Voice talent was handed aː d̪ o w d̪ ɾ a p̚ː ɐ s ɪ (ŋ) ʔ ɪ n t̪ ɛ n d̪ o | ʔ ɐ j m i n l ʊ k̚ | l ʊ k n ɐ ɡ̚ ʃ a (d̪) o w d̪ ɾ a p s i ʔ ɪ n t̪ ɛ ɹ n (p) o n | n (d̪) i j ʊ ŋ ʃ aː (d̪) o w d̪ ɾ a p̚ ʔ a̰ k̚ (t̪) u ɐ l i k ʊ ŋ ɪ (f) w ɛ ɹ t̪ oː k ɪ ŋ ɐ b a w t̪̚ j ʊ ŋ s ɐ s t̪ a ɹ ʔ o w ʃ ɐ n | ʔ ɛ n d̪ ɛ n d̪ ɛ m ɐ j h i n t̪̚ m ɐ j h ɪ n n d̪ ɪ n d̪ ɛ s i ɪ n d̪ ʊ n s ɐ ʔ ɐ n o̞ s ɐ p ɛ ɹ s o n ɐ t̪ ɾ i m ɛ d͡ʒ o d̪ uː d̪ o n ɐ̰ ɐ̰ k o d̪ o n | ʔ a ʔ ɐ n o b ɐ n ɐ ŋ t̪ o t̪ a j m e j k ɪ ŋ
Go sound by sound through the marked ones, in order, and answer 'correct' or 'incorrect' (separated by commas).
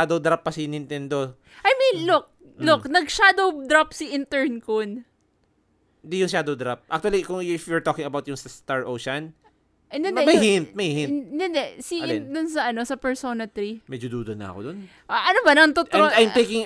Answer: incorrect, correct, incorrect, correct, correct, correct, correct